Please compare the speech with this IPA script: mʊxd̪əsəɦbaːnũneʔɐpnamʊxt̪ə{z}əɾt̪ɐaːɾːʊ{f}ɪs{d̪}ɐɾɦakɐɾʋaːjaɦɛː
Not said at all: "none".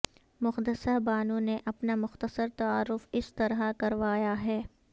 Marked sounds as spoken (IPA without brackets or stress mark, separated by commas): s, f, t̪